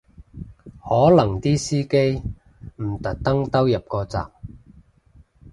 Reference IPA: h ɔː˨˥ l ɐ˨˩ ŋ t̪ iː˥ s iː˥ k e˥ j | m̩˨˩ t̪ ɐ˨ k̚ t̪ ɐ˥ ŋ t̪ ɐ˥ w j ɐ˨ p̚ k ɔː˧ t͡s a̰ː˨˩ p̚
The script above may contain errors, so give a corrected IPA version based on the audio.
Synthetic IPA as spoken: h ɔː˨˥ l ɐ˨˩ ŋ t̪ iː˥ s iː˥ k e˥ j | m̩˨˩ t̪ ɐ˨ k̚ t̪ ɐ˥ ŋ t̪ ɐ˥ w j ɐ˨ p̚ k ɔː˧ t͡s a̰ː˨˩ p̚